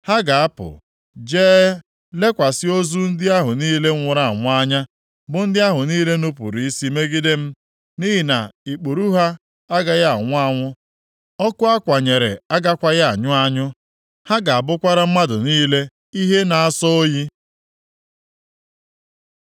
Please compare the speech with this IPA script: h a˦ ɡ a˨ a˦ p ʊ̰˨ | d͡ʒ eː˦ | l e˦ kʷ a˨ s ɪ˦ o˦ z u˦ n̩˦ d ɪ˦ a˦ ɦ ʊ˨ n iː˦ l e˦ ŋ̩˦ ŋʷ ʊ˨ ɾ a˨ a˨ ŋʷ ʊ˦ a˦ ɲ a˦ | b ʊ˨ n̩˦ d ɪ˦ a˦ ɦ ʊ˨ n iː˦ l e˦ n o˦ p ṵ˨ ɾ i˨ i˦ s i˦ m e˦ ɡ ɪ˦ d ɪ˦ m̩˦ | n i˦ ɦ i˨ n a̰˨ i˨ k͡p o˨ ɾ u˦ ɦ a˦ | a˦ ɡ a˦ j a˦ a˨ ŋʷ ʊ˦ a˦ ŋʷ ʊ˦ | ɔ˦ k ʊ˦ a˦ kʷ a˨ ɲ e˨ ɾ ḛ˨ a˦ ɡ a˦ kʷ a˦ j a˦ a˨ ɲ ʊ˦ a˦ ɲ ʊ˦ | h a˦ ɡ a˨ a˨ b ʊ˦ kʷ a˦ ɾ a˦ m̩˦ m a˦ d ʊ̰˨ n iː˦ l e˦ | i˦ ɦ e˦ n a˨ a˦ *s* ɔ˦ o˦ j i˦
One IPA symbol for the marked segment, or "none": s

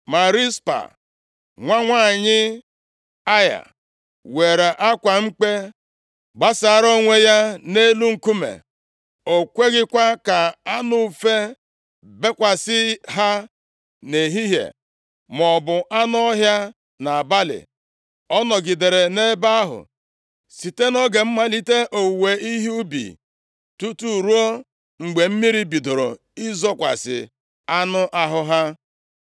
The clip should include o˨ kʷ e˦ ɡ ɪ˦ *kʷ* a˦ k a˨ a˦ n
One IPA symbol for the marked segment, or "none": kʷ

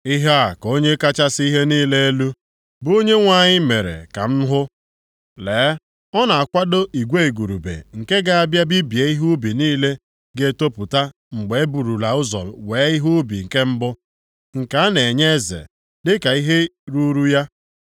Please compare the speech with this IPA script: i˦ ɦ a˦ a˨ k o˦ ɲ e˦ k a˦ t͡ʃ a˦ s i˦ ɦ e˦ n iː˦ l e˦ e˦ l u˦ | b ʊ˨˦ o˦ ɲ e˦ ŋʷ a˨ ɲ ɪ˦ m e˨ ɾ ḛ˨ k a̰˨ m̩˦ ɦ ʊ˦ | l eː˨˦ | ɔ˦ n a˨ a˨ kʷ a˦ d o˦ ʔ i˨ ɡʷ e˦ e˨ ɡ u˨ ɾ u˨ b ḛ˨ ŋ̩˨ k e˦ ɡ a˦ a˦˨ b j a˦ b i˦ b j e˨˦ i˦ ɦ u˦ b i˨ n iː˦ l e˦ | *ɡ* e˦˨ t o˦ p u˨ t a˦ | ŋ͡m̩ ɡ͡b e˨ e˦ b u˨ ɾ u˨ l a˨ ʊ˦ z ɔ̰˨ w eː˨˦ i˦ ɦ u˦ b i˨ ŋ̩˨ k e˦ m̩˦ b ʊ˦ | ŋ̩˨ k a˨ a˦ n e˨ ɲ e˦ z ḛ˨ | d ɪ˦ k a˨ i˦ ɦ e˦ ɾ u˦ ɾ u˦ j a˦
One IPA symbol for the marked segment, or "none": ɡ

